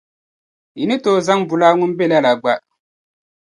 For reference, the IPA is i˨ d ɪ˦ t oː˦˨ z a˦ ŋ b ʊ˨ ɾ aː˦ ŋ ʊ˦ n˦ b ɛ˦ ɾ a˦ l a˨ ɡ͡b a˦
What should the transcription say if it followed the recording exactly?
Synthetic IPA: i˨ n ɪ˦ t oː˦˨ z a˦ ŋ b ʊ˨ l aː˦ ŋ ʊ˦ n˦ b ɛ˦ l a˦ l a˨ ɡ͡b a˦

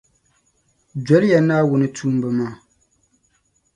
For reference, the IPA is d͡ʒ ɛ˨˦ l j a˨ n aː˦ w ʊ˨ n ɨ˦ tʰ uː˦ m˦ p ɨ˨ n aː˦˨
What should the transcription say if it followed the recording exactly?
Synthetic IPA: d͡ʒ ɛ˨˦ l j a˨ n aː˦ w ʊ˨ n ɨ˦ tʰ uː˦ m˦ b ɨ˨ m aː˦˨

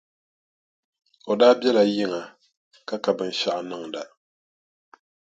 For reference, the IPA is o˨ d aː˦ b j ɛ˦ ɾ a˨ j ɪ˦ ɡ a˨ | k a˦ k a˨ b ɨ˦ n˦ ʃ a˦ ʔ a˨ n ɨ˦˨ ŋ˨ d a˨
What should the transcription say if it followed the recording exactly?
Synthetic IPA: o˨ d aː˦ b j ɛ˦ l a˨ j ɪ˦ ŋ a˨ | k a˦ k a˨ b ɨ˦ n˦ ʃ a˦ ʔ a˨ n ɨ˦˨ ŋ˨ d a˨

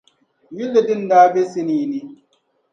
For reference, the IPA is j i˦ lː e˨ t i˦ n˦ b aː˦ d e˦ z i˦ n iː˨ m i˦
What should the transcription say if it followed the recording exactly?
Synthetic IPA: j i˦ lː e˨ d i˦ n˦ d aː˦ b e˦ s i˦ n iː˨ n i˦

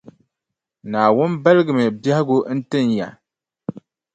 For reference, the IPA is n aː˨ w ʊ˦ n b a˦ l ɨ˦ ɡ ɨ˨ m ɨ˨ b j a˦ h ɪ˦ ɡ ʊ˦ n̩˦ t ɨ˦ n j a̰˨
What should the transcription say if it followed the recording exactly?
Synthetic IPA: n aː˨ w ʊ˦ n b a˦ l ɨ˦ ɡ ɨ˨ m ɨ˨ b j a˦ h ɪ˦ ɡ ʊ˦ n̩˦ t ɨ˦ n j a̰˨

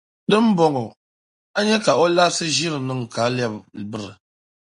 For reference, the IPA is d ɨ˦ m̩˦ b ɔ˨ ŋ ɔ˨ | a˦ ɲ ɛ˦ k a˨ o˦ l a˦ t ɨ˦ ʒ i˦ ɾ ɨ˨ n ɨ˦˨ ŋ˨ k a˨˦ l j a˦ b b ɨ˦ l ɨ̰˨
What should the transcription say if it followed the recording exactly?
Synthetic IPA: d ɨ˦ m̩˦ b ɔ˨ ŋ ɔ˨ | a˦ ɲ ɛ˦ k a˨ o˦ l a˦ s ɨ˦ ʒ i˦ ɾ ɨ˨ n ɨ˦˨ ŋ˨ k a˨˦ l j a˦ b b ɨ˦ ɾ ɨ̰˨

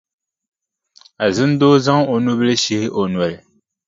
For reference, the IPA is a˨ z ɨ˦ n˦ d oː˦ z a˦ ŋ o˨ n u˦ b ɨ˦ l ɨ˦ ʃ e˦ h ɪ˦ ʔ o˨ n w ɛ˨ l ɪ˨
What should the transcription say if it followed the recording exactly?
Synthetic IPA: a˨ z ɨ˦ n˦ d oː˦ z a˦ ŋ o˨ n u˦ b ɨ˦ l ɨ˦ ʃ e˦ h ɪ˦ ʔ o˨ n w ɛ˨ l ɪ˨

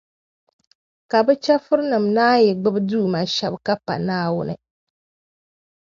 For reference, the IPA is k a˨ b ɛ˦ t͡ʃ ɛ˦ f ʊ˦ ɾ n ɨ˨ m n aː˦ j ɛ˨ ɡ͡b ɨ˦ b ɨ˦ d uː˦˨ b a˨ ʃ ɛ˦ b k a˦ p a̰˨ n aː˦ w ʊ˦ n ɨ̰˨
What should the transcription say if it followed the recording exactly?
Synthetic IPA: k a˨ b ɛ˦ t͡ʃ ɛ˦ f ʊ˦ ɾ n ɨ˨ m n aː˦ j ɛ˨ ɡ͡b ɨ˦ b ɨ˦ d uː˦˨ m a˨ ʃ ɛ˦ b k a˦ p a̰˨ n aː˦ w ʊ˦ n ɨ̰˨

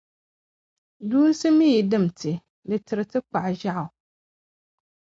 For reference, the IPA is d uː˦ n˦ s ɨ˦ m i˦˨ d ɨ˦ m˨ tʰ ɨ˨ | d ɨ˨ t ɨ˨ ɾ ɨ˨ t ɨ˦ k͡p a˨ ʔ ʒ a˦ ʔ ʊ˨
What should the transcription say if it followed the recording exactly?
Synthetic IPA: d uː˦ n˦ s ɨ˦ m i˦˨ d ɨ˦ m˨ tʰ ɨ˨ | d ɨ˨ t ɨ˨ ɾ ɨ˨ t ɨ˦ k͡p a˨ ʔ ʒ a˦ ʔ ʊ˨

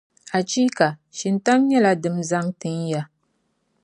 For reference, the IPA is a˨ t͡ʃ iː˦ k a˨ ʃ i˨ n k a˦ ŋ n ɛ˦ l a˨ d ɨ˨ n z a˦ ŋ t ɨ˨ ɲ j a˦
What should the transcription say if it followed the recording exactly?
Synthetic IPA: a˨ t͡ʃ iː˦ k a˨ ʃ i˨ n t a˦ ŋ ɲ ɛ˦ l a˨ d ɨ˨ m z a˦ ŋ t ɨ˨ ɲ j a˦

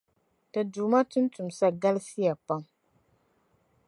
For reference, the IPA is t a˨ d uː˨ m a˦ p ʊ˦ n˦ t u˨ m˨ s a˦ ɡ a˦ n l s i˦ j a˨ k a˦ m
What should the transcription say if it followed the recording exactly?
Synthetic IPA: t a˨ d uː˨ m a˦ t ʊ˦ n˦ t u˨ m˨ s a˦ ɡ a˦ l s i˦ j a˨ p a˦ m

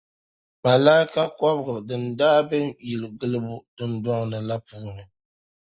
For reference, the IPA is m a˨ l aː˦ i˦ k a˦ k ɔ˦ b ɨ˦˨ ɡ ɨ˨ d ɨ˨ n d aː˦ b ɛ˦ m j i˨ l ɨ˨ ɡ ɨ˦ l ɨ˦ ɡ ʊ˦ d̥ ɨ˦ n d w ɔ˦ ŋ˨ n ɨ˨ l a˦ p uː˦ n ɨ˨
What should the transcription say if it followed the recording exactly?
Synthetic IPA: m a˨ l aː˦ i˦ k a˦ k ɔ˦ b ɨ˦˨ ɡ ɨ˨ d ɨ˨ n d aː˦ b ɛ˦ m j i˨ l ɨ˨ ɡ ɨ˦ l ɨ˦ b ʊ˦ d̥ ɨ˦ n d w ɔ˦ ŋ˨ n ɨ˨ l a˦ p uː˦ n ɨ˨

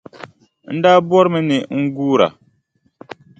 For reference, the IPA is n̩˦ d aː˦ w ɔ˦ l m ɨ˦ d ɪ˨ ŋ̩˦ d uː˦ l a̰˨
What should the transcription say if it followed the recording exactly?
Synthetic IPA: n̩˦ d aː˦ b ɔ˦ ɾ m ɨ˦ n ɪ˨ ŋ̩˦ ɡ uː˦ ɾ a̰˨

